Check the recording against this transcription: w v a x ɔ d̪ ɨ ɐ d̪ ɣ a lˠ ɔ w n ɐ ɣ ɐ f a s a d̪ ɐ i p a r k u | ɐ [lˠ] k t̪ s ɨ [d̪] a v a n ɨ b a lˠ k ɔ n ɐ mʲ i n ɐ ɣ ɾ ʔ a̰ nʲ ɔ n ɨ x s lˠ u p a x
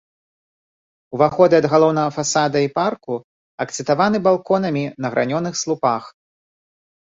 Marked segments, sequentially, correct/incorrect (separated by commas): incorrect, incorrect